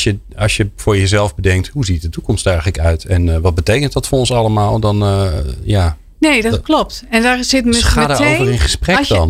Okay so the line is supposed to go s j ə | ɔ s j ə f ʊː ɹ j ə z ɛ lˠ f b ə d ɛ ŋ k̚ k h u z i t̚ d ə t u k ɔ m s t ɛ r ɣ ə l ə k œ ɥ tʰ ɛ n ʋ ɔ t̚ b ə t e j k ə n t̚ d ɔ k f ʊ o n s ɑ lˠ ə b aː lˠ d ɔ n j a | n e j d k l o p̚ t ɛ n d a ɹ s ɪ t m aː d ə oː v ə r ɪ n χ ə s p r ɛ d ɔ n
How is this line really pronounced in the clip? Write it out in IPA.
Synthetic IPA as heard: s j ə | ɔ s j ə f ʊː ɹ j ə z ɛ lˠ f b ə d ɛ ŋ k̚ t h u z i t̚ d ə t u k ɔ m s t ɛ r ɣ ə l ə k œ ɥ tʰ ɛ n ʋ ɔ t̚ b ə t e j k ə n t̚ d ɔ t f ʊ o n s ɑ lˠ ə m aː lˠ d ɔ n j a | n e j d k l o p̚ t ɛ n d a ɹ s ɪ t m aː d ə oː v ə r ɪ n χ ə s p r ɛ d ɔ n